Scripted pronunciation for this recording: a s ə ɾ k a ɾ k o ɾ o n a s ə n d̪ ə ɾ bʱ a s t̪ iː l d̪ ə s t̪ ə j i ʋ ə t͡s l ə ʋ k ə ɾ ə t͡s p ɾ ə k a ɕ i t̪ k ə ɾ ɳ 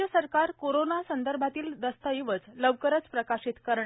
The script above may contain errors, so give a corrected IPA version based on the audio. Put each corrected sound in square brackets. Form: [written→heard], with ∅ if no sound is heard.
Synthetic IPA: [a→ə] s ə ɾ k a ɾ k o ɾ o n a s ə n d̪ ə ɾ bʱ a [s→∅] t̪ iː l d̪ ə s t̪ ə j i ʋ ə t͡s l ə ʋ k ə ɾ ə t͡s p ɾ ə k a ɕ i t̪ k ə ɾ ɳ